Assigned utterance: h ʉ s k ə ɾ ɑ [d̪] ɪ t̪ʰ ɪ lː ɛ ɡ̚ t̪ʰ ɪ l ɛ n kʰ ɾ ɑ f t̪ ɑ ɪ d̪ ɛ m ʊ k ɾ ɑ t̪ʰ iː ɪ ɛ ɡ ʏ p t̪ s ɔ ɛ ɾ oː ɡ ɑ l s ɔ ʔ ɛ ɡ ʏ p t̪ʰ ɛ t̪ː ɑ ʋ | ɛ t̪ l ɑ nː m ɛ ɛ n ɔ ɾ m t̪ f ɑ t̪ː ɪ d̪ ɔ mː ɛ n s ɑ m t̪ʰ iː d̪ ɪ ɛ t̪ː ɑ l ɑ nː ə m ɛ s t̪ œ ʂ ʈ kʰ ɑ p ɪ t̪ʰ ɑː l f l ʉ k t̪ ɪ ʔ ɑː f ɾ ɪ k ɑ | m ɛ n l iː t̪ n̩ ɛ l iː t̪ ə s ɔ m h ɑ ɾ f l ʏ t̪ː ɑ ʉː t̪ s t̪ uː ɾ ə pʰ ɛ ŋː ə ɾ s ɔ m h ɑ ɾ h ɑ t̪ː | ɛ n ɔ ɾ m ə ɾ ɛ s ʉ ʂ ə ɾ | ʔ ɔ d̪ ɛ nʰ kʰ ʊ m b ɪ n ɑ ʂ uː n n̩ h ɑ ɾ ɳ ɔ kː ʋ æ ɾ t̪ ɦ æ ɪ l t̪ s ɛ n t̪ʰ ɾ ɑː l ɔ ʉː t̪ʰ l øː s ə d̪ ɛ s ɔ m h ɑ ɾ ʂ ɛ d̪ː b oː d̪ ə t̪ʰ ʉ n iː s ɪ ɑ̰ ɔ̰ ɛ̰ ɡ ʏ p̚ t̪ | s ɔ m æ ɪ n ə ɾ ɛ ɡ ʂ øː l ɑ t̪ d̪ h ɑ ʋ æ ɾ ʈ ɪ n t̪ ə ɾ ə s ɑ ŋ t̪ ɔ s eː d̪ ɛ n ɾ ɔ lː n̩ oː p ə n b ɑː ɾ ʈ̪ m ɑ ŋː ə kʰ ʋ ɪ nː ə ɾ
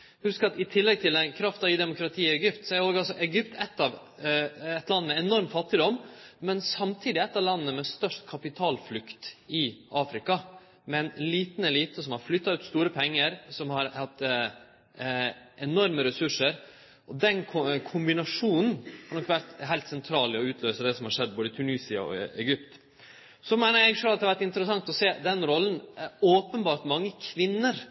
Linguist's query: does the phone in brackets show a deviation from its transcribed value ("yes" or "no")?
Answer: yes